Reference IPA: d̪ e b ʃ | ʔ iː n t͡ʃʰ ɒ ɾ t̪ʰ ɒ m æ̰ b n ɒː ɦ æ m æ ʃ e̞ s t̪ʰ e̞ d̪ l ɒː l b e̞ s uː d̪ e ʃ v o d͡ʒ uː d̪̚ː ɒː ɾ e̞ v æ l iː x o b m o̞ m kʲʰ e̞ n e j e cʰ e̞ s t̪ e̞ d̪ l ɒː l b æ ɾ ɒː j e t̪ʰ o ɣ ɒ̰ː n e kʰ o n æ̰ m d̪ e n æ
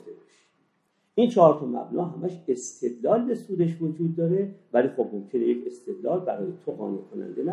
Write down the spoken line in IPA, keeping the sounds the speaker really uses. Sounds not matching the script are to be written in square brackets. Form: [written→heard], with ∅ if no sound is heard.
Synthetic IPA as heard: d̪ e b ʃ | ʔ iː n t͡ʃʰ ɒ ɾ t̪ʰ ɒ m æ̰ b n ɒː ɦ æ m æ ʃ e̞ s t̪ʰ e̞ d̪ l ɒː l b e̞ s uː d̪ e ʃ v o d͡ʒ uː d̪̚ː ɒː ɾ e̞ v æ l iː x o b m o̞ m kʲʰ e̞ n e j e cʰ e̞ s t̪ e̞ d̪ l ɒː l b æ ɾ ɒː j e t̪ʰ o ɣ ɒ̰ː n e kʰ o n æ̰ [m→n] d̪ e n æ